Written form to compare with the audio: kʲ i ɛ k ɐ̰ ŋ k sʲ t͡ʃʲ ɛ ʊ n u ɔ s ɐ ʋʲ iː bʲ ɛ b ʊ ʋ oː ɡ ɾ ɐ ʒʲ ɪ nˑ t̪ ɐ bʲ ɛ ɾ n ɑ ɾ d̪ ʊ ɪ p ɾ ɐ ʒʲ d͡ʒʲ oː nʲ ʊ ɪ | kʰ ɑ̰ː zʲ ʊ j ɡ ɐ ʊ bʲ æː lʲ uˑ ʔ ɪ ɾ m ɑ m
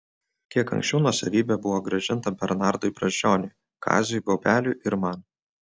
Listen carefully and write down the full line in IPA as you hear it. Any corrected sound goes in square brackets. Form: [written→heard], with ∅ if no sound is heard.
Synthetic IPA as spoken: kʲ i ɛ k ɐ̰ ŋ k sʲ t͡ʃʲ ɛ ʊ n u ɔ s ɐ ʋʲ iː bʲ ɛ b ʊ ʋ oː ɡ ɾ ɐ ʒʲ ɪ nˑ t̪ ɐ bʲ ɛ ɾ n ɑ ɾ d̪ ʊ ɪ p ɾ ɐ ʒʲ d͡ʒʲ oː nʲ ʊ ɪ | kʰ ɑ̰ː zʲ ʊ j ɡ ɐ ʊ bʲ æː lʲ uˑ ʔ ɪ ɾ m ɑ [m→n]